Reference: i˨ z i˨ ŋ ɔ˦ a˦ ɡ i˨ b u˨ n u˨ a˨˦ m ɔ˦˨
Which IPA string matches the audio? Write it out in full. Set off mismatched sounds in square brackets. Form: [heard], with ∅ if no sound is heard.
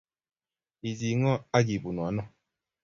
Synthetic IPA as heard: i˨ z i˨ ŋ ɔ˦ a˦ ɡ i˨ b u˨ n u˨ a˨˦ [n] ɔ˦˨